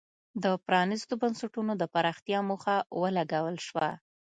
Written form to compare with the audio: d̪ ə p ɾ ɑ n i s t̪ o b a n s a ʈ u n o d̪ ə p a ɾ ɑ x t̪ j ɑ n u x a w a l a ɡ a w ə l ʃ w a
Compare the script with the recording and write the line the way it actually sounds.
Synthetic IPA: d̪ ə p ɾ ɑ n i s t̪ o b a n s a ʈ u n o d̪ ə p a ɾ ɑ x t̪ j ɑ m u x a w ə l a ɡ a w ə l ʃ w a